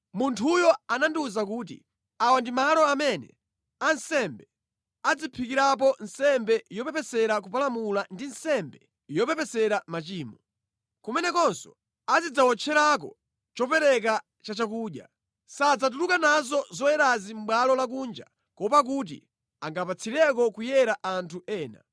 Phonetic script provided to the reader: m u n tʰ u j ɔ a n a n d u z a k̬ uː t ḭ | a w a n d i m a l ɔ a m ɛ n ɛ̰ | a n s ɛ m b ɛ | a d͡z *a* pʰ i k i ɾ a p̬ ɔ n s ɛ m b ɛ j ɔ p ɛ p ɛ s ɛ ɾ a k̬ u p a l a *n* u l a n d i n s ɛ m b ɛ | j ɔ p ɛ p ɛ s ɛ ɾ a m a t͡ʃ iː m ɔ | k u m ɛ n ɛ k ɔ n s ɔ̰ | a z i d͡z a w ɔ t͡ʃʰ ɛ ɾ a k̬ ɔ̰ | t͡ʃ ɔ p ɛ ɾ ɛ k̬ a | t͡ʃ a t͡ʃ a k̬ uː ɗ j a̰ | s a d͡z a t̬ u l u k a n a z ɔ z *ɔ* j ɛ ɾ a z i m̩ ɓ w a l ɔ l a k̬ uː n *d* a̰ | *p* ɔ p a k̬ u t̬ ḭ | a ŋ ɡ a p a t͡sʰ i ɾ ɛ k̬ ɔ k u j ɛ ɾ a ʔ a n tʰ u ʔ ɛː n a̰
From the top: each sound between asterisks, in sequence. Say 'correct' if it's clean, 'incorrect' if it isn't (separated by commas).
incorrect, incorrect, correct, incorrect, incorrect